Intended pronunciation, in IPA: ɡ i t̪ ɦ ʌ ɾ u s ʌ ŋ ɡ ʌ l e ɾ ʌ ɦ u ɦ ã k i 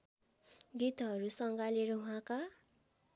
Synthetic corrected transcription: ɡ i t̪ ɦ ʌ ɾ u s ʌ ŋ ɡ a l e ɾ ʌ ɦ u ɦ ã k a